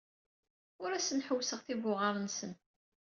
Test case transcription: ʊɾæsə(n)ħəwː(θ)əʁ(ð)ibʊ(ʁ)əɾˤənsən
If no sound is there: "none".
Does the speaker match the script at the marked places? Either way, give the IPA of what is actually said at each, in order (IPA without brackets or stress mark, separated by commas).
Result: n, s, θ, ʁ